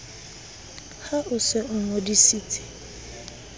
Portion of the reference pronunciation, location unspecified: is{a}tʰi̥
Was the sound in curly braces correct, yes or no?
no